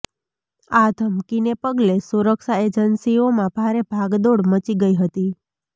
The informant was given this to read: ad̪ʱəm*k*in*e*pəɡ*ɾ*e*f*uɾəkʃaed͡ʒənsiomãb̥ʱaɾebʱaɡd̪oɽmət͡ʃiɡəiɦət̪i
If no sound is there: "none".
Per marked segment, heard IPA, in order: k, e, l, s

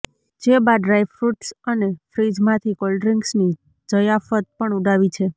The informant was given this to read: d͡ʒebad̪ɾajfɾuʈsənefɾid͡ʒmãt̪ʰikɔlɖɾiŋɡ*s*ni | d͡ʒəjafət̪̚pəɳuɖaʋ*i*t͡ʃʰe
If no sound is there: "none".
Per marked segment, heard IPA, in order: s, i

